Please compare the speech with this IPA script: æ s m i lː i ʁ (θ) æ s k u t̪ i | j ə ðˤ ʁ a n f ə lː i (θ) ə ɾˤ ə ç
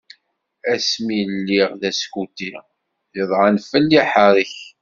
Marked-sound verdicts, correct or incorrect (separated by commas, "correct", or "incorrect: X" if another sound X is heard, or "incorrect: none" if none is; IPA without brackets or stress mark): incorrect: ð, incorrect: ħ